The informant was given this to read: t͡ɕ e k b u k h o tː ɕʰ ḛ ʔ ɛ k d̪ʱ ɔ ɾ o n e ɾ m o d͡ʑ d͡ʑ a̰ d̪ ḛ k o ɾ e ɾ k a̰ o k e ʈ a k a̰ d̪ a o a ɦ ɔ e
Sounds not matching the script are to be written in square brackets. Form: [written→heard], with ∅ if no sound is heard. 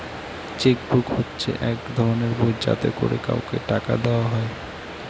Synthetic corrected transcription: t͡ɕ e k b u k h o tː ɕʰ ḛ ʔ ɛ k d̪ʱ ɔ ɾ o n e ɾ [m→b] o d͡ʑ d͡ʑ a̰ [d̪→t̪] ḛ k o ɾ e [ɾ→∅] k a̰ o k e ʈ a k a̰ d̪ [a→e] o a ɦ ɔ e

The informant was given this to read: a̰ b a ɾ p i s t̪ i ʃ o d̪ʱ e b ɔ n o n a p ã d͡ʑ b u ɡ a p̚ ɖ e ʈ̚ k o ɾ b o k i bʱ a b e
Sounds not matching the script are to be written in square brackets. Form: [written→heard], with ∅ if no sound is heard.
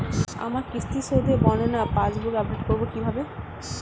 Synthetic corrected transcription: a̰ [b→m] a ɾ [p→k] i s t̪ i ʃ o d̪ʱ e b ɔ n o n a p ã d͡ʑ b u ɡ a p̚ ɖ e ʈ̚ k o ɾ b o k i bʱ a b e

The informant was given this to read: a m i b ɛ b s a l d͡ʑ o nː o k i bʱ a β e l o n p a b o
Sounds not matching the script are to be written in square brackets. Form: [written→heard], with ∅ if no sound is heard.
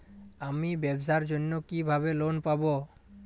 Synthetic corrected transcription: a m i b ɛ b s a [l→ɾ] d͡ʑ o nː o k i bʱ a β e l o n p a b o

